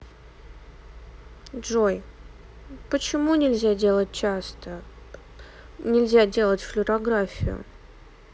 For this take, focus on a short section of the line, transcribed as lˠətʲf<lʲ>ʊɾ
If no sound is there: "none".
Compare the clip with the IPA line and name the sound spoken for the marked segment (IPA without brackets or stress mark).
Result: lʲ